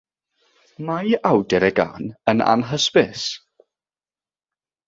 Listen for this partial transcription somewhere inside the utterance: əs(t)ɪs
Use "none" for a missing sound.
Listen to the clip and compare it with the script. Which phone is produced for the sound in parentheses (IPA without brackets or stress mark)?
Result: p